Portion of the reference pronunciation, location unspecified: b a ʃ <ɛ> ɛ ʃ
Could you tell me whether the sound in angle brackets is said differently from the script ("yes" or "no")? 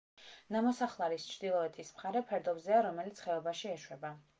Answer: yes